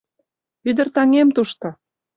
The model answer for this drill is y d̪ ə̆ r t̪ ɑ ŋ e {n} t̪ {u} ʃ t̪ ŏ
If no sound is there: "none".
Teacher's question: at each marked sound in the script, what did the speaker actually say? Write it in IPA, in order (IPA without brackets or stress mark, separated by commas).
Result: m, u